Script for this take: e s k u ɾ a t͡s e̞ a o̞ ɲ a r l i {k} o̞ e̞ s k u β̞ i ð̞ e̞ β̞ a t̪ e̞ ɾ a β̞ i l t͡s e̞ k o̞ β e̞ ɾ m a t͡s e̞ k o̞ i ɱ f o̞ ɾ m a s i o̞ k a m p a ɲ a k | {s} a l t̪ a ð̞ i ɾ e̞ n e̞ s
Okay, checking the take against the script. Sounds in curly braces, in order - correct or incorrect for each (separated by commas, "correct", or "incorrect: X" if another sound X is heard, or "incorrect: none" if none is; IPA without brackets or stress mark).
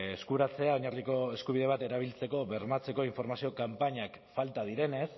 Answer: correct, incorrect: f